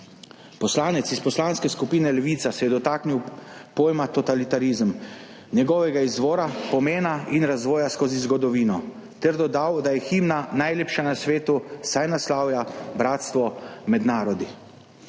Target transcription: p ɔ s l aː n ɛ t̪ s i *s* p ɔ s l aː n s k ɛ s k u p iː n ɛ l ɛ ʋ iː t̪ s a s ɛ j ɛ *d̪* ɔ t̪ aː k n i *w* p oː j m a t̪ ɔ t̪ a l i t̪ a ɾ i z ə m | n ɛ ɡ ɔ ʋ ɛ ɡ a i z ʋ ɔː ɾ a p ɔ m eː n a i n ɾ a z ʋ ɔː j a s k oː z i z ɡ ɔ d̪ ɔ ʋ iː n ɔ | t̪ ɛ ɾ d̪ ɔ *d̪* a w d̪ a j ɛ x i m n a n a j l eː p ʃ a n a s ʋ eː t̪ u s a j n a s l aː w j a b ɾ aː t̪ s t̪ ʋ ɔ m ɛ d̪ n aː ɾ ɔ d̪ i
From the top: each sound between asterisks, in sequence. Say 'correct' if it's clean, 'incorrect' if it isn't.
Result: correct, correct, correct, correct

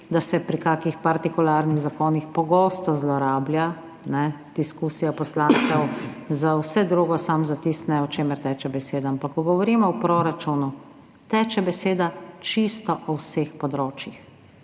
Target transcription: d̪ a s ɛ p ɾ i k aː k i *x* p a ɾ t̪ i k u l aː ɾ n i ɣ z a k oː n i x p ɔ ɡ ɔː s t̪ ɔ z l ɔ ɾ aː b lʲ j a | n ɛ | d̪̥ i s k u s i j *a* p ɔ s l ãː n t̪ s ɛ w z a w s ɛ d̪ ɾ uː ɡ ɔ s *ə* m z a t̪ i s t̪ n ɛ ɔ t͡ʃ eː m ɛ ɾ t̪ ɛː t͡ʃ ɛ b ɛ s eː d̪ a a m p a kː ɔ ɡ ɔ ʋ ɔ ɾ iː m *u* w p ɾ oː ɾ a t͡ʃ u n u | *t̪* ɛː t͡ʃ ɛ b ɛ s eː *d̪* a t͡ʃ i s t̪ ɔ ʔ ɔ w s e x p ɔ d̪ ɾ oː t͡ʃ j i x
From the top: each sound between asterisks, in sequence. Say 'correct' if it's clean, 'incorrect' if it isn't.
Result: correct, correct, incorrect: a, incorrect: ɔ, correct, correct

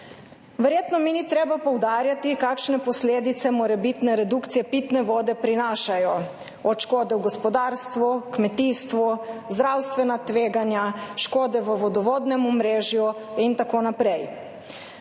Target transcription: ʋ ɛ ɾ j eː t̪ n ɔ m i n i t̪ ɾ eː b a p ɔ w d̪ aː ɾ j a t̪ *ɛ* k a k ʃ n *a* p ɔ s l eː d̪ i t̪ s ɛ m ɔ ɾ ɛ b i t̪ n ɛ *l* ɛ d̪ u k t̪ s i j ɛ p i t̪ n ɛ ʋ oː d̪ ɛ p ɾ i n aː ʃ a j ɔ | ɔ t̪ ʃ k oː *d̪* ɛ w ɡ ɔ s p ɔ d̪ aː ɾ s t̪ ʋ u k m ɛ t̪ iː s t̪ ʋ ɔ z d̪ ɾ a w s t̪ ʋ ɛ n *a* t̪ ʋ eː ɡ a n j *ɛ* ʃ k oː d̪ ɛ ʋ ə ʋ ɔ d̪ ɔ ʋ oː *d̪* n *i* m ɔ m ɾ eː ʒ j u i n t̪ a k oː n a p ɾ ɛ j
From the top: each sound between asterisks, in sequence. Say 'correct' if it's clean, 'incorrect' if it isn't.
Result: incorrect: i, incorrect: ɛ, incorrect: ɾ, correct, correct, incorrect: a, correct, incorrect: ɛ

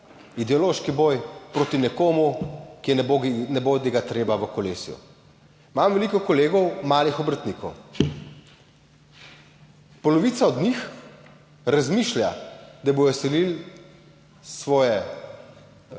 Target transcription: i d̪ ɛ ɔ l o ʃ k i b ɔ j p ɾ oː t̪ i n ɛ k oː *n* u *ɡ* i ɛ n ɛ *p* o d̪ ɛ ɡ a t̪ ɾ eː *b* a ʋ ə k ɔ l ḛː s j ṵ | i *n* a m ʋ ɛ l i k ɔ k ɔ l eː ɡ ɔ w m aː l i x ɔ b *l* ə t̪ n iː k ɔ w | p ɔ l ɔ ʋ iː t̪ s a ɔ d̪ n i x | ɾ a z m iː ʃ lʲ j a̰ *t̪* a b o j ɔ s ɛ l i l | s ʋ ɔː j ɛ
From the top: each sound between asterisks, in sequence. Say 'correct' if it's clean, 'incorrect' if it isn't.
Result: incorrect: m, incorrect: k, incorrect: b, correct, incorrect: m, incorrect: ɾ, incorrect: d̪

